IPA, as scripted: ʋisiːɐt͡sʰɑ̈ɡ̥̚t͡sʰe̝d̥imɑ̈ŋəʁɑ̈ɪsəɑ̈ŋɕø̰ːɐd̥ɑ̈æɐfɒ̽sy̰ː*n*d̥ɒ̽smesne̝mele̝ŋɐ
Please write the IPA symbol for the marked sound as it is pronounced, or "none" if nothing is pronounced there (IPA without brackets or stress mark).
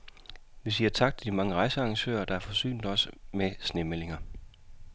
n